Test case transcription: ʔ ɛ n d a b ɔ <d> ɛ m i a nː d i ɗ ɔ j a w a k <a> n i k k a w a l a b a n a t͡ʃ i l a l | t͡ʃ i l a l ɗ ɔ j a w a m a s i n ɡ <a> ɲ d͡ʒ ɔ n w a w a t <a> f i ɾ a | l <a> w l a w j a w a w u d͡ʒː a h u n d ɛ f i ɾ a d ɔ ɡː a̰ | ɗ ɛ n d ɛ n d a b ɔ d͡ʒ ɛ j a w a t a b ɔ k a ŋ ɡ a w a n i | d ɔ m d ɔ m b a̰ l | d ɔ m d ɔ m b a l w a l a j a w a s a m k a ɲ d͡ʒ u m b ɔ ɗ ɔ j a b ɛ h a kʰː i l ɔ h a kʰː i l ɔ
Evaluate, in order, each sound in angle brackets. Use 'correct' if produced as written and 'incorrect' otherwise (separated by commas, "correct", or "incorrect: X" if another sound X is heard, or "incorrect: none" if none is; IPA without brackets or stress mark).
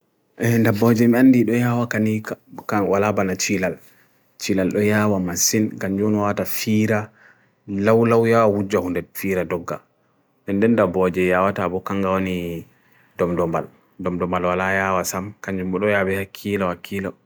incorrect: d͡ʒ, correct, correct, correct, correct